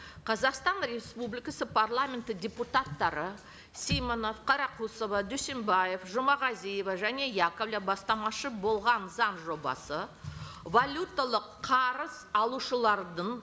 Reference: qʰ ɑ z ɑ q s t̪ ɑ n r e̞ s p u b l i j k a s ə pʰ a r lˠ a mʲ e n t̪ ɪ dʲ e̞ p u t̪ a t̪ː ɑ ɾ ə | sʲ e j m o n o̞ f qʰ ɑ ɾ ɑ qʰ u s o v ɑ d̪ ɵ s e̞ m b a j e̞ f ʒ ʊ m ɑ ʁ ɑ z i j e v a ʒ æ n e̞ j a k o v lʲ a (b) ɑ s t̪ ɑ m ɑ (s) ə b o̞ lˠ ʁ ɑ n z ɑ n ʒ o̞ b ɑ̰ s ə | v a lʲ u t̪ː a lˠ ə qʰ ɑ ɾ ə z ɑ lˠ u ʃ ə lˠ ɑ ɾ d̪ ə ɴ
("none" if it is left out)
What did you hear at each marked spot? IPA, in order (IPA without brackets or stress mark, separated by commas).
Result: b, ʃ